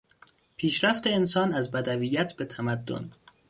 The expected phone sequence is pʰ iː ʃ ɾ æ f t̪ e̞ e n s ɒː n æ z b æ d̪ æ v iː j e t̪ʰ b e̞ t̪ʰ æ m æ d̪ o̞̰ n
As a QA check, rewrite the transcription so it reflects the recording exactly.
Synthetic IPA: pʰ iː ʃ ɾ æ f t̪ e̞ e n s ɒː n æ z b æ d̪ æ v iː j æ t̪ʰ b e̞ t̪ʰ æ m æ d̪ː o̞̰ n